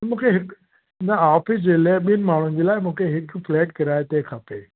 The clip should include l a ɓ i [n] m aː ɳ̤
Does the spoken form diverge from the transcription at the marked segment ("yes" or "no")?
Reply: no